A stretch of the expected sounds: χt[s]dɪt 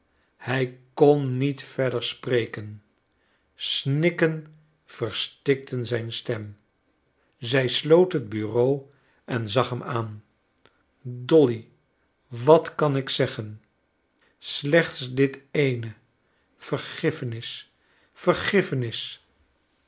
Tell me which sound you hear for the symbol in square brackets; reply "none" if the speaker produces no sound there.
s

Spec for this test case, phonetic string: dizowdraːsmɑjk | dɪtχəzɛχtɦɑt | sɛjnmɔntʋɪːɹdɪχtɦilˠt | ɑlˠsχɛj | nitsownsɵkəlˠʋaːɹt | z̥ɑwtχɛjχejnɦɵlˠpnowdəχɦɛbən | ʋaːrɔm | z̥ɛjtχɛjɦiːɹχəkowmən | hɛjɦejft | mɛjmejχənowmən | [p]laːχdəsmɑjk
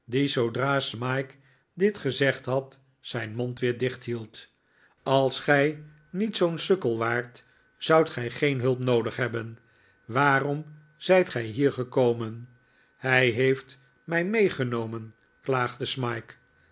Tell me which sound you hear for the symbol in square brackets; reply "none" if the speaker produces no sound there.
k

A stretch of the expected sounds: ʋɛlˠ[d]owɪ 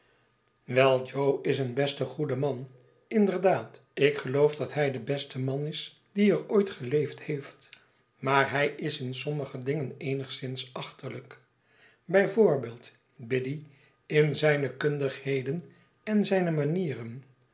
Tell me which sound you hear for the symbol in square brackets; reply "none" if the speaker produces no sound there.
d͡ʒ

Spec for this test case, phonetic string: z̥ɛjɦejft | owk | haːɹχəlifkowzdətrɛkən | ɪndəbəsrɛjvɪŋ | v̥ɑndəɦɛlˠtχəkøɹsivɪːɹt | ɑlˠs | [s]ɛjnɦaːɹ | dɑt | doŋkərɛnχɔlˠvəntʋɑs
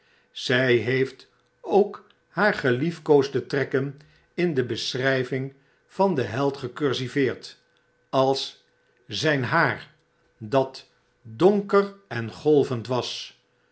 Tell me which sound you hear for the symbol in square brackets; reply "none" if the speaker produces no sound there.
z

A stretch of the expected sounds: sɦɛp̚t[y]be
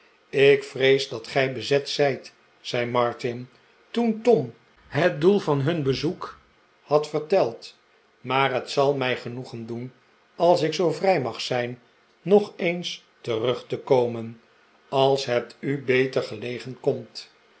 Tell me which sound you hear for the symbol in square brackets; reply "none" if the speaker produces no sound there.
y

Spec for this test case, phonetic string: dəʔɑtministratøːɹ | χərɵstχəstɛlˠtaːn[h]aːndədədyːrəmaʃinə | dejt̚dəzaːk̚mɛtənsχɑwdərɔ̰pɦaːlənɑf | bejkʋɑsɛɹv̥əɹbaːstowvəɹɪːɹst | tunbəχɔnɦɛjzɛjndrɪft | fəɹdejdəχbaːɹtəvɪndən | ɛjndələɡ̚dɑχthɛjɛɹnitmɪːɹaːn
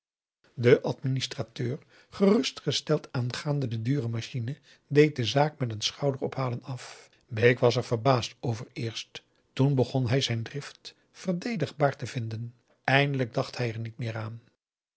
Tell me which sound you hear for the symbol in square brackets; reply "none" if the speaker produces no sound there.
χ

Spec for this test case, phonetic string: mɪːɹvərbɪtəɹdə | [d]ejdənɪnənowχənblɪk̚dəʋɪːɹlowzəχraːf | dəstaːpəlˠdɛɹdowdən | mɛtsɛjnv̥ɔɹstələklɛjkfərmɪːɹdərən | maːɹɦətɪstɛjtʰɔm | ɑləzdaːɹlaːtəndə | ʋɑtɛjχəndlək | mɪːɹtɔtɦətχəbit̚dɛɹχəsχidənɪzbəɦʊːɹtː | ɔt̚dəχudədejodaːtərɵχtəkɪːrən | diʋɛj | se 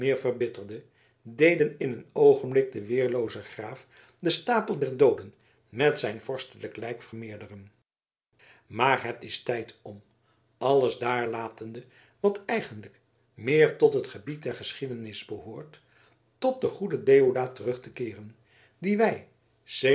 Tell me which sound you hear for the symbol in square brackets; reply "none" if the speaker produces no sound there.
d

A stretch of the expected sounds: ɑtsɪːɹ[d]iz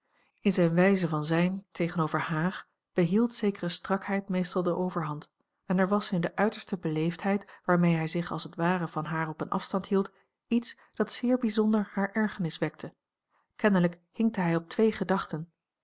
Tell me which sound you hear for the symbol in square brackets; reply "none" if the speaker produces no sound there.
b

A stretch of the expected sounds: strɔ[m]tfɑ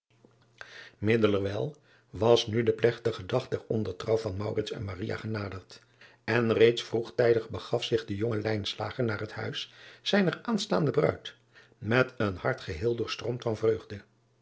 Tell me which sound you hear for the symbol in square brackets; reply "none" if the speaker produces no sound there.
m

